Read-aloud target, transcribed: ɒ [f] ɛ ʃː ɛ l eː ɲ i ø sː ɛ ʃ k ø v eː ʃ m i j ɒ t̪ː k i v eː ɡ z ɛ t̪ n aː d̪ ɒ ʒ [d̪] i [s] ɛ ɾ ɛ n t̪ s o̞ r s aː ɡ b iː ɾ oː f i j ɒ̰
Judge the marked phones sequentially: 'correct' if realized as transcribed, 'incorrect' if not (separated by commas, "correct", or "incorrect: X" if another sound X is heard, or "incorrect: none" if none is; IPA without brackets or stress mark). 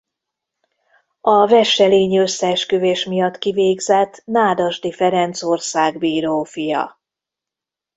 incorrect: v, correct, incorrect: f